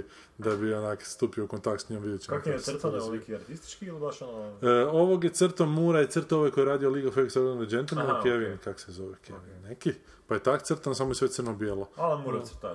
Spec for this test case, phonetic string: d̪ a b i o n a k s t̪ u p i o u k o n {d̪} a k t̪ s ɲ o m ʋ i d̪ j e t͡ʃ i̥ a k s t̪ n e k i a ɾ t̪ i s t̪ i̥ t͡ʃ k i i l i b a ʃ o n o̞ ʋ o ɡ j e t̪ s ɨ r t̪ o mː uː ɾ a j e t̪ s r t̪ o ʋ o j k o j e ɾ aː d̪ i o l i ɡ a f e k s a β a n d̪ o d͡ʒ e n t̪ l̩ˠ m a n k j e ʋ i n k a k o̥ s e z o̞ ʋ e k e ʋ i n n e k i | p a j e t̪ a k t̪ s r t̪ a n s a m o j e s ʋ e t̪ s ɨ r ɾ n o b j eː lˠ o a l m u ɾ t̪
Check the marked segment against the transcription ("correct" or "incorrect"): incorrect